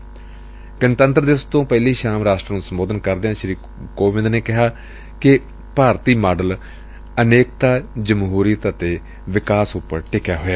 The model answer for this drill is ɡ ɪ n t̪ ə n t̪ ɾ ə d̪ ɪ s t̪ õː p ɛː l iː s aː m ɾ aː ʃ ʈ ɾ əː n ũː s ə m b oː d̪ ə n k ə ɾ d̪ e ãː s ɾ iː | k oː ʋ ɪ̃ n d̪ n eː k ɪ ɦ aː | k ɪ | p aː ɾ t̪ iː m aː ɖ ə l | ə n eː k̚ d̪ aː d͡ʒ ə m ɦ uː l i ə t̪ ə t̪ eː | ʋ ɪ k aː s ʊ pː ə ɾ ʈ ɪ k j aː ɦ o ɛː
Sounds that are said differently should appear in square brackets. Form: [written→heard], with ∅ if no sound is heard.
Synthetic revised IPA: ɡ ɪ n t̪ ə n t̪ ɾ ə d̪ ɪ s t̪ õː p ɛː l iː [s→ʃ] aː m ɾ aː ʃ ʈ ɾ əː n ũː s ə m b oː d̪ ə n k ə ɾ d̪ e ãː [s→ʃ] ɾ iː | k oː ʋ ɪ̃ n d̪ n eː k ɪ ɦ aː | k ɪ | p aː ɾ t̪ iː m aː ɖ ə l | ə n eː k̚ [d̪→t̪] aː d͡ʒ ə m ɦ uː [l→ɾ] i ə t̪ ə t̪ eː | ʋ ɪ k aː s ʊ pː ə ɾ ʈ ɪ k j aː ɦ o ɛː